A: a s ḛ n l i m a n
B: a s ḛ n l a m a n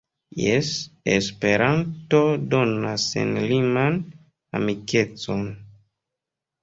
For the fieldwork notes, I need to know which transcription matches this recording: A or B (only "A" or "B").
A